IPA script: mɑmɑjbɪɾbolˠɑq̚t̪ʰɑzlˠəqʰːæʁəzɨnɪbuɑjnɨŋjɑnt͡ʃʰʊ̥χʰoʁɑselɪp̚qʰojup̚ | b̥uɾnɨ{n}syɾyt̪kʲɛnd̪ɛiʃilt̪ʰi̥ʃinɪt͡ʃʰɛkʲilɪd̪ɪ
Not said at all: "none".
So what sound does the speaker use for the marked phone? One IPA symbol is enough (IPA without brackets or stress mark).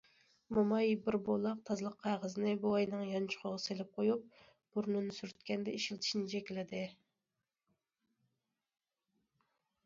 n